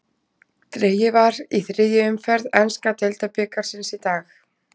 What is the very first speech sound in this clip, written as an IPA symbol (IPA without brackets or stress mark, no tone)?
t̪